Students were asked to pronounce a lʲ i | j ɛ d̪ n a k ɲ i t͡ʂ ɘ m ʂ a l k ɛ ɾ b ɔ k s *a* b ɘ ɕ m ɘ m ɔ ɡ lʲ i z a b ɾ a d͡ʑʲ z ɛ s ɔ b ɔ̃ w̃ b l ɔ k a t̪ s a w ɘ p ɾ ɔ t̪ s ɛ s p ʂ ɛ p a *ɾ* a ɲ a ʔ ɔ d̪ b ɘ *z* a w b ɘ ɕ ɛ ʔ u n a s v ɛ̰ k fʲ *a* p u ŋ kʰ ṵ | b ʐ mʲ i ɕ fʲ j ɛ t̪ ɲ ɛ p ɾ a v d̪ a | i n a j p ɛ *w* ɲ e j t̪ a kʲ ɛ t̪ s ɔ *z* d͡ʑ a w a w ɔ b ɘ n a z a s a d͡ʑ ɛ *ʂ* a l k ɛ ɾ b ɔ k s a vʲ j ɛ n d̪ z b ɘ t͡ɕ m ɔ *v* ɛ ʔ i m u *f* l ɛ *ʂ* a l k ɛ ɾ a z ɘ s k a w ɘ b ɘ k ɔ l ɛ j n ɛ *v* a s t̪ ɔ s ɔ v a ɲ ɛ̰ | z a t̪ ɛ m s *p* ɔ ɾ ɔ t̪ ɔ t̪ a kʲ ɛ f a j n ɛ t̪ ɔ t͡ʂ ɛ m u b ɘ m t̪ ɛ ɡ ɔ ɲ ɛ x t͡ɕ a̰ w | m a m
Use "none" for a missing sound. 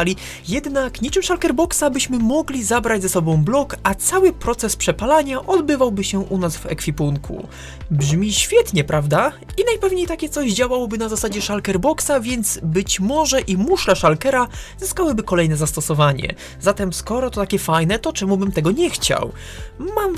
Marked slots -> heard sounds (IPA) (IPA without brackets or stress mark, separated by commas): a, l, v, i, v, ʑ, ʂ, ʐ, ʂ, ʂ, z, k